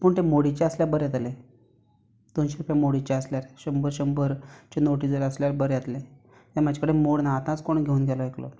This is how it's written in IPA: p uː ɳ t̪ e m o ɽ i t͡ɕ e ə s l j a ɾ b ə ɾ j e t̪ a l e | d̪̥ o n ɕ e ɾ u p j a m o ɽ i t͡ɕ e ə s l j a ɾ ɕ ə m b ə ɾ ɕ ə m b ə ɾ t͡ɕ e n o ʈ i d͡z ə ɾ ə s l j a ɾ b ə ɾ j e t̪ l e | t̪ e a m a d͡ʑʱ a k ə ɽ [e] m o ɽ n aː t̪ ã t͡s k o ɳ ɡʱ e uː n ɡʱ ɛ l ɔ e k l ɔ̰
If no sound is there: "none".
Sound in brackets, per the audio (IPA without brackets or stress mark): e